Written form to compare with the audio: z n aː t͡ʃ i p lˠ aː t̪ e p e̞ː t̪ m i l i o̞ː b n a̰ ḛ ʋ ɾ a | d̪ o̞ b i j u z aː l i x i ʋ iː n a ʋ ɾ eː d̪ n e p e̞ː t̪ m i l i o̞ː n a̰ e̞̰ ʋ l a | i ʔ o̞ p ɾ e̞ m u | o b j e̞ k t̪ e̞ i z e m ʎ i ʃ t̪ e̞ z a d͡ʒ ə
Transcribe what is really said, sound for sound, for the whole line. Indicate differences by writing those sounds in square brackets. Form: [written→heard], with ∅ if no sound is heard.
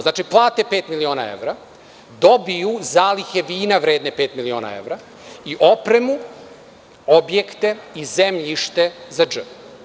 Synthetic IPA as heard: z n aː t͡ʃ i p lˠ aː t̪ e p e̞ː t̪ m i l i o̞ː [b→∅] n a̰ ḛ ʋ ɾ a | d̪ o̞ b i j u z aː l i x [i→e] ʋ iː n a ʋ ɾ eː d̪ n e p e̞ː t̪ m i l i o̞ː n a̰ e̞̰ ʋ [l→ɾ] a | i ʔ o̞ p ɾ e̞ m u | o b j e̞ k t̪ e̞ i z e m ʎ i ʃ t̪ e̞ z a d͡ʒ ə